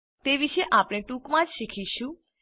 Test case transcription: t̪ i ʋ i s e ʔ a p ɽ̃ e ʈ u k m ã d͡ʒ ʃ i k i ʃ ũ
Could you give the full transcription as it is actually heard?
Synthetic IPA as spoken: t̪ e ʋ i ʃ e ʔ a p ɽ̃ e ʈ u k m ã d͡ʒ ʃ i kʰ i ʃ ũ